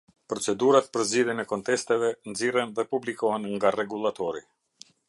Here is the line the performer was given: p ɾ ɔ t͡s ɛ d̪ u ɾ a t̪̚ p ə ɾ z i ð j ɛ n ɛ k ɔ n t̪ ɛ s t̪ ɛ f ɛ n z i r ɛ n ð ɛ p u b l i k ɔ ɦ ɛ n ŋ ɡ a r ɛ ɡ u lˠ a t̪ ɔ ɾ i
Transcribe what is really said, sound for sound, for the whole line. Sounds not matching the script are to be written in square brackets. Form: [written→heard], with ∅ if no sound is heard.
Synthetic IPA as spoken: p ɾ ɔ t͡s ɛ d̪ u ɾ a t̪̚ p ə ɾ z i ð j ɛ n ɛ k ɔ n t̪ ɛ s t̪ ɛ [f→v] ɛ n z i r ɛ n ð ɛ p u b l i k ɔ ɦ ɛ n ŋ ɡ a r ɛ ɡ u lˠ a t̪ ɔ ɾ i